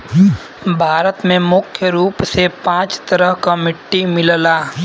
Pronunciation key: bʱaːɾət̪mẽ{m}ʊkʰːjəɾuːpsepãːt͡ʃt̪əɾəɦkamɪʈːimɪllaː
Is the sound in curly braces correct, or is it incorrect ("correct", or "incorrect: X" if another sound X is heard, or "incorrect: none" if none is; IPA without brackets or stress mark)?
correct